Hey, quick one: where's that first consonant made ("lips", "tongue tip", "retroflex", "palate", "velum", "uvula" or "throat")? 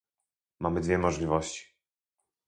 lips